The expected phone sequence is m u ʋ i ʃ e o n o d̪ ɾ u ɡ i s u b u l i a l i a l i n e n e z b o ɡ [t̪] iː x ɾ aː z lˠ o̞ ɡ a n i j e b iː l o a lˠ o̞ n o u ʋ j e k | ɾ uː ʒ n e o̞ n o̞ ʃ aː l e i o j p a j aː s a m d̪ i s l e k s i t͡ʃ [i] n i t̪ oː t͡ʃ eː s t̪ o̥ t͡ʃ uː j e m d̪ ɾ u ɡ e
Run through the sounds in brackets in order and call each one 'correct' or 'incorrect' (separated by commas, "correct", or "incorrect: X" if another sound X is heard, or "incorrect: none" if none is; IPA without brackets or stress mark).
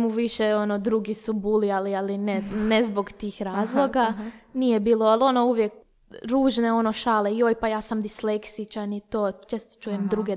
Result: correct, incorrect: a